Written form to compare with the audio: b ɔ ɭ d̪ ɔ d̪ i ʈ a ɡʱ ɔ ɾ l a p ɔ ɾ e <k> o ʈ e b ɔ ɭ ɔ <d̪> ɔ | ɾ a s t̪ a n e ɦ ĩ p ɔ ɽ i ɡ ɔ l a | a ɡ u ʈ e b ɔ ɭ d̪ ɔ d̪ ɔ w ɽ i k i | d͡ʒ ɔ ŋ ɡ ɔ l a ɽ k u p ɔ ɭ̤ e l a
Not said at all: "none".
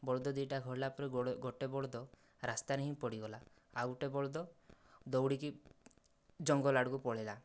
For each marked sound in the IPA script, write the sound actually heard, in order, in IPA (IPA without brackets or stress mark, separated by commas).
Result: ɡ, d̪